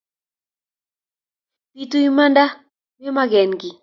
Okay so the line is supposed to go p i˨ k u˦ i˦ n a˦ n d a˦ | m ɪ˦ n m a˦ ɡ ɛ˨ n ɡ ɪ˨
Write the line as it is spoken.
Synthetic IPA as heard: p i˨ t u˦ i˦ m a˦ n d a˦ | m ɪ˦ m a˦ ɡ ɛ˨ n ɡ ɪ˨